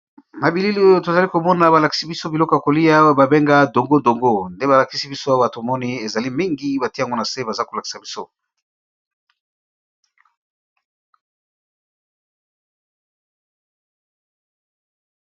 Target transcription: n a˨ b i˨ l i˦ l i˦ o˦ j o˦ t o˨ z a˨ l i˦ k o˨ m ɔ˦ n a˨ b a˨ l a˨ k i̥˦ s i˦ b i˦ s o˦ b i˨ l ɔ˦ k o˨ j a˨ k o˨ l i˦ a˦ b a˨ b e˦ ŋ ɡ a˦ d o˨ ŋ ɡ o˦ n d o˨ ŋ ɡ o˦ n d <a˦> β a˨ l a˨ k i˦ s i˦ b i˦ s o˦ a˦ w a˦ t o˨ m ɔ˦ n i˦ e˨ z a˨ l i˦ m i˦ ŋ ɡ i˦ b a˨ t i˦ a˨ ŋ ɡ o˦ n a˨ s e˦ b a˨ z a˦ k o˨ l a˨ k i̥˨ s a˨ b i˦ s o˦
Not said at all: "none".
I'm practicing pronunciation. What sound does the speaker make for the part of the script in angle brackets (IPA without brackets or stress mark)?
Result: e˦